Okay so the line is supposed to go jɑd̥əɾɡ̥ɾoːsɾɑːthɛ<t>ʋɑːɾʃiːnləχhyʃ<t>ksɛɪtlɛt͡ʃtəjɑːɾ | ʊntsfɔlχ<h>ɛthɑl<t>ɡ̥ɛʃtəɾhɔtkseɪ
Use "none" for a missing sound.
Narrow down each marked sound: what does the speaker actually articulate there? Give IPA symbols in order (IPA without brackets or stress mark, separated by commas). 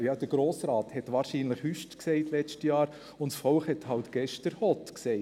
t, t, h, t